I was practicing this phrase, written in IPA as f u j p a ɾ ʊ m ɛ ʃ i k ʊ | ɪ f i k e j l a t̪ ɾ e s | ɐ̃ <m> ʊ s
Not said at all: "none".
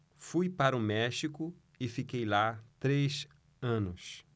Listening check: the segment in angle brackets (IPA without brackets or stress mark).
n